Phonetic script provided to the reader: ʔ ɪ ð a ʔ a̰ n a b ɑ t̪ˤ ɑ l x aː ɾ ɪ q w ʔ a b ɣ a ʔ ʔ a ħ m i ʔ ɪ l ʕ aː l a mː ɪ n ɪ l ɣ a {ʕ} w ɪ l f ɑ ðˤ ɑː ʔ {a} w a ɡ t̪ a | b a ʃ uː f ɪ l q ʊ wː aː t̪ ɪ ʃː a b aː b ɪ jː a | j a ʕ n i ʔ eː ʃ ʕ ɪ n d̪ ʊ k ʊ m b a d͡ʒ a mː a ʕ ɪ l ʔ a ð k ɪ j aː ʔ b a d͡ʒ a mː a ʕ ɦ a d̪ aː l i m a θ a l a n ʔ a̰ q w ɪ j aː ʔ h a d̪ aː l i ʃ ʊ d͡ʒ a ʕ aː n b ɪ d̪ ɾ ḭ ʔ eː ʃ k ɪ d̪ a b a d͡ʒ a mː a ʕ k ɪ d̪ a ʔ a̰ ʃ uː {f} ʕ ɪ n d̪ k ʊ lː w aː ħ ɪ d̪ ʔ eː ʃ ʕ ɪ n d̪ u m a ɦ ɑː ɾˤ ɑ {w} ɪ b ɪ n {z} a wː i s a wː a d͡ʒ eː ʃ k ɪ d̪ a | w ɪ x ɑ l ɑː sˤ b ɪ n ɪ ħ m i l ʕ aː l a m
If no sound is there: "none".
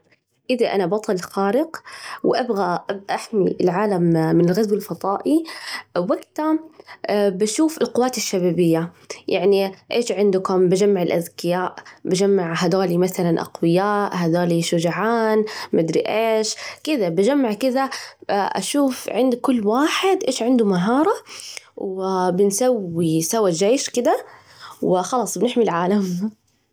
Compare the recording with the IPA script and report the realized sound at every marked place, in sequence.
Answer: z, i, f, w, s

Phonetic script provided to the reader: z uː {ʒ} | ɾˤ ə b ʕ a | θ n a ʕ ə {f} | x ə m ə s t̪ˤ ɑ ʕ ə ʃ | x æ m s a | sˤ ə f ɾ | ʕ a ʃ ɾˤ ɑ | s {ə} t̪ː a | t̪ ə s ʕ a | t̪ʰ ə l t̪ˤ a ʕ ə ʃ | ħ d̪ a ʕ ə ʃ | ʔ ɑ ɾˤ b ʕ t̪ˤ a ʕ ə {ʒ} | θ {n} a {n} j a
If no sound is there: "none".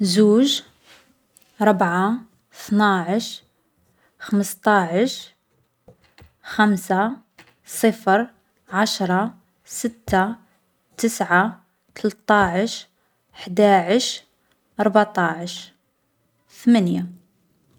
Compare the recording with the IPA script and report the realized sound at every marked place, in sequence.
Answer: ʒ, ʃ, ə, ʃ, m, n

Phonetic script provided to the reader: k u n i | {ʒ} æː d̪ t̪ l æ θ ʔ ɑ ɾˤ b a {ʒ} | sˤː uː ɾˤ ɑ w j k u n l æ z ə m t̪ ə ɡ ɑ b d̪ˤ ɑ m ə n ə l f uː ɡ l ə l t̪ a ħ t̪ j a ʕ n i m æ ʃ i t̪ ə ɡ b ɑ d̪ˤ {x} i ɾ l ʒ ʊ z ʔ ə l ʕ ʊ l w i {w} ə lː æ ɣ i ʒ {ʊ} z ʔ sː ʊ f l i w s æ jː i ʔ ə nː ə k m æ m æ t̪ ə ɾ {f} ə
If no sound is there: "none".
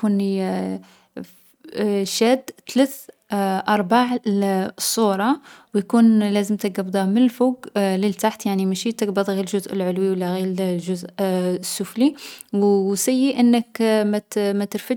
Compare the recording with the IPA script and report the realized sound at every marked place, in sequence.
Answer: ʃ, ʕ, ɣ, w, ʊ, f

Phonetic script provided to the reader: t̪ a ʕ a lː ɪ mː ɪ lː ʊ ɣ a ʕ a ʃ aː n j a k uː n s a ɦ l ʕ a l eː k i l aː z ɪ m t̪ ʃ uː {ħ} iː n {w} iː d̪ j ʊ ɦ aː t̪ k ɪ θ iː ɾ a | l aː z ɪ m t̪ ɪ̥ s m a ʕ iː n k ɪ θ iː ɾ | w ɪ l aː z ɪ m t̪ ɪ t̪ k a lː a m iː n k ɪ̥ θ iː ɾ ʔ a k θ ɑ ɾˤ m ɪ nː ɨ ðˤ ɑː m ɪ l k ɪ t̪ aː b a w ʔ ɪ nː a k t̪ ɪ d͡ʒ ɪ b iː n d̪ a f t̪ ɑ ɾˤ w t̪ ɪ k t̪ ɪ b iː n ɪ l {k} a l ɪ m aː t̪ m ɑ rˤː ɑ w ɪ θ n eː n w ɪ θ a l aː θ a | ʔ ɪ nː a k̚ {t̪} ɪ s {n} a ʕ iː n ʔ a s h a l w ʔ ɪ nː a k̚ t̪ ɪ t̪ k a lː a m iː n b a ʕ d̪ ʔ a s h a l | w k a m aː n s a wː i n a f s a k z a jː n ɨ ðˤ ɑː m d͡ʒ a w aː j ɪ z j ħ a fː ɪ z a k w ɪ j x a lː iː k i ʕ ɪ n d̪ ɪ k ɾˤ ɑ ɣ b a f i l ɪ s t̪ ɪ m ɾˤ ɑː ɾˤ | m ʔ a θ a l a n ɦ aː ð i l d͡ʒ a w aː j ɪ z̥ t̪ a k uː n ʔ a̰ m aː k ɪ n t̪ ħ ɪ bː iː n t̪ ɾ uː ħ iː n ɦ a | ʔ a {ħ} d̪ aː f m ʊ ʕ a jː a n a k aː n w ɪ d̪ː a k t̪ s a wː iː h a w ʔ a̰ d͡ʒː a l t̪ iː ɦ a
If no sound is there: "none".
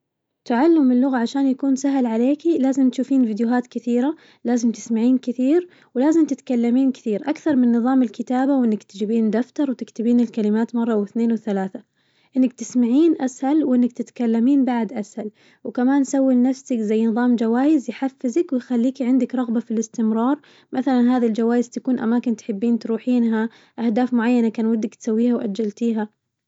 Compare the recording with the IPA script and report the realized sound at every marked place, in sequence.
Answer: f, v, k, t̪, m, h

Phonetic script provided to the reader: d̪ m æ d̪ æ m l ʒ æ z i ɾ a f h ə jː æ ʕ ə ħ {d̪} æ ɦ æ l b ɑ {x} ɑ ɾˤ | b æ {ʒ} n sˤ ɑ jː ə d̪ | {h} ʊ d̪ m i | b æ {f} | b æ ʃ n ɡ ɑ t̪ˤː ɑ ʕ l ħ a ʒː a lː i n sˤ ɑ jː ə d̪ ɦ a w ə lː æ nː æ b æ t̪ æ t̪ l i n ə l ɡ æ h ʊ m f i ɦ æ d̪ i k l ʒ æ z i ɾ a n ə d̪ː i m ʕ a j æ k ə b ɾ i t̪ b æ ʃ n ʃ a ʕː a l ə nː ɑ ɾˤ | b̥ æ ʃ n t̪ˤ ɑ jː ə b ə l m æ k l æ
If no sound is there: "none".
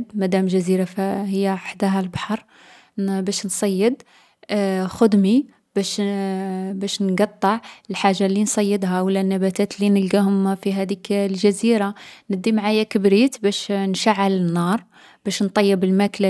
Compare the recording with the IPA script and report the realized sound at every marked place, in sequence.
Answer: d̪, ħ, ʃ, x, ʃ

